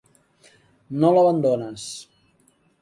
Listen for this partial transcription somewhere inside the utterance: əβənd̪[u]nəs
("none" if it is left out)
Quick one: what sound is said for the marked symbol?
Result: o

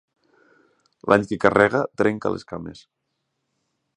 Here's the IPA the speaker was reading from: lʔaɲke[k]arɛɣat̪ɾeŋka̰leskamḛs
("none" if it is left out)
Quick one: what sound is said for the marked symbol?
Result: k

